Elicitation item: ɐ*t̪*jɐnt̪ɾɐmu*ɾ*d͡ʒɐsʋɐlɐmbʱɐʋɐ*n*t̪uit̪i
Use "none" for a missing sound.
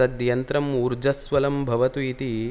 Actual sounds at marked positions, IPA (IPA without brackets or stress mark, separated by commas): d̪, ɾ, none